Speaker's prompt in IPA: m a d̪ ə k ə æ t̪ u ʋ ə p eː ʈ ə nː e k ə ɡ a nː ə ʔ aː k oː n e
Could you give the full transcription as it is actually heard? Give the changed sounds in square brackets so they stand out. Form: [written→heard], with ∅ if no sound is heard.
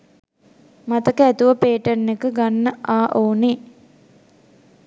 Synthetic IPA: m a [d̪→t̪] ə k ə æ t̪ u ʋ ə p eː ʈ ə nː e k ə ɡ a nː ə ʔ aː [k→ʔ] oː n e